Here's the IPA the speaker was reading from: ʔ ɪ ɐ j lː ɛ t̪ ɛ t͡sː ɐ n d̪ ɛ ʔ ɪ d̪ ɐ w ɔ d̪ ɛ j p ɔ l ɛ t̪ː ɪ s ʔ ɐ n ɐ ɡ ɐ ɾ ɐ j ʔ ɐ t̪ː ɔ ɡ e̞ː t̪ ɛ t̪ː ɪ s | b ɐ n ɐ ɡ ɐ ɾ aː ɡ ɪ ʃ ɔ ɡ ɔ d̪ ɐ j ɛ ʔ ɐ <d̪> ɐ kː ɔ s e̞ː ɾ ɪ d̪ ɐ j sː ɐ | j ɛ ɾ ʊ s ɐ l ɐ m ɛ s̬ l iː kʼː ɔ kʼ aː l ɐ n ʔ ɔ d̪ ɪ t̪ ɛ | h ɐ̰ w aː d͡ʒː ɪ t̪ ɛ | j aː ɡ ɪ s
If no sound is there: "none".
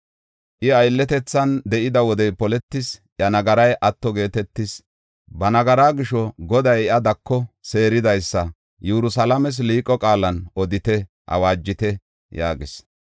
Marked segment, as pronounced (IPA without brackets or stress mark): d̪